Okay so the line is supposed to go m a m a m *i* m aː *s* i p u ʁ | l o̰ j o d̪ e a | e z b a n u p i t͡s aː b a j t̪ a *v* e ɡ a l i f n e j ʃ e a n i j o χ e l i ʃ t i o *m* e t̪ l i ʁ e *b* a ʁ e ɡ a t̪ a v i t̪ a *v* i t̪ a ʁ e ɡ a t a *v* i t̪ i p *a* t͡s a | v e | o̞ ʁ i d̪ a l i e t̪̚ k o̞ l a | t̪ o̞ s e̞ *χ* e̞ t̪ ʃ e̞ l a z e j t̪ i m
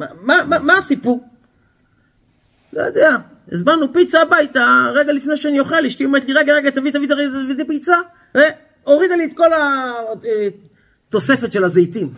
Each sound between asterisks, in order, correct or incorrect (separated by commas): incorrect, correct, incorrect, correct, incorrect, correct, correct, incorrect, incorrect